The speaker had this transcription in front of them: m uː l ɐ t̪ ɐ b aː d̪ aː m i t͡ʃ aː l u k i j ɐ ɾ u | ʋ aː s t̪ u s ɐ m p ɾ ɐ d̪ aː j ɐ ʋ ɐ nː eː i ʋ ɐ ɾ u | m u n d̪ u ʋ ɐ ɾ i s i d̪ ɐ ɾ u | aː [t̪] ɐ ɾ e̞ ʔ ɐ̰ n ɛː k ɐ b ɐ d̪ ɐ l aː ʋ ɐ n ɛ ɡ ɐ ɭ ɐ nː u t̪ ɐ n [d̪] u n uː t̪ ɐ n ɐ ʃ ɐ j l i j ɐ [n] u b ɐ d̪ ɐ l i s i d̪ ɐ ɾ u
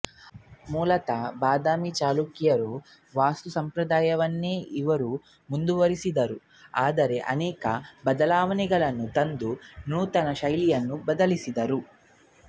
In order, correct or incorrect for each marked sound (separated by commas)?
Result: incorrect, correct, incorrect